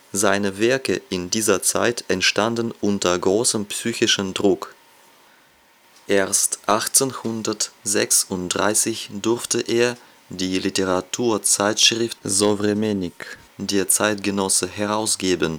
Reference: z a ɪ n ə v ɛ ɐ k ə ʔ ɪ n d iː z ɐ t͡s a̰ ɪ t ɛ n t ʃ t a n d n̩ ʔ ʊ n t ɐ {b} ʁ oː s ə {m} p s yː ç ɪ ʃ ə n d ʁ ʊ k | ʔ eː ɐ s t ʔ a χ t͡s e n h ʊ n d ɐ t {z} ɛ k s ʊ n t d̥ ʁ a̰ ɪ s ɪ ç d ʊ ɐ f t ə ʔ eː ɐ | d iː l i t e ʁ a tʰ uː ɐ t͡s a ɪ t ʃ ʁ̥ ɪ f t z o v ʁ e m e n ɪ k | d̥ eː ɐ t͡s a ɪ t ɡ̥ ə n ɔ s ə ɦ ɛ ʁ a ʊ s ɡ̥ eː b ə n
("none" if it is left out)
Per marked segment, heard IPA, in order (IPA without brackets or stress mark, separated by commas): ɡ, m, z